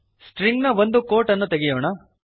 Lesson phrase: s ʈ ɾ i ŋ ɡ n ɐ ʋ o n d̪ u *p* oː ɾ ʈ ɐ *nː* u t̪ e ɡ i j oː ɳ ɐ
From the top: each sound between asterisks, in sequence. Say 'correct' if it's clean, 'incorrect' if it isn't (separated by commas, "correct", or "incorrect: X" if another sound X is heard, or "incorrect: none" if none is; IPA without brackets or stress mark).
incorrect: k, correct